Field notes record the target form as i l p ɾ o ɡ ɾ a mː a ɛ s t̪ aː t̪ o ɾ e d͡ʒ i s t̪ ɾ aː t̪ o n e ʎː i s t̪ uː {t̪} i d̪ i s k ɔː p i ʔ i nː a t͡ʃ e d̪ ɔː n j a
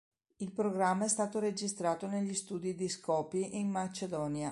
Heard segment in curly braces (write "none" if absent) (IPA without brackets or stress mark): d̪